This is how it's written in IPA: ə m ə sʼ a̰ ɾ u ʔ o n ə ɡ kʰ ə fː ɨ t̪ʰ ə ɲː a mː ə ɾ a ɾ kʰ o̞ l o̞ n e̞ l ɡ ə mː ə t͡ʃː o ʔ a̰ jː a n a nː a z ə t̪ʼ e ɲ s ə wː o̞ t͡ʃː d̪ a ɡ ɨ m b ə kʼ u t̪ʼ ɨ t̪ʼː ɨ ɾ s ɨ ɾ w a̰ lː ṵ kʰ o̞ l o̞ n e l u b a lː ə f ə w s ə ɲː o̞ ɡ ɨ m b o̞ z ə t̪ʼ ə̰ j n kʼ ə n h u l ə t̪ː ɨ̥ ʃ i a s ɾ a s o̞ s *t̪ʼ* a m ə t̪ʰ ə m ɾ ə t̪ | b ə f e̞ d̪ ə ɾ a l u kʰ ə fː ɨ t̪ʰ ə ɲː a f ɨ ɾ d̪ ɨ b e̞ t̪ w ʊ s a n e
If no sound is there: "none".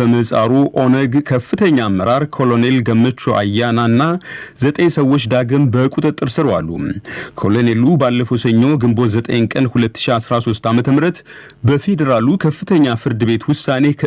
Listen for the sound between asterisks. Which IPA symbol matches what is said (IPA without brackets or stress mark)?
t̪